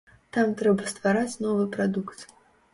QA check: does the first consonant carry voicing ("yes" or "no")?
no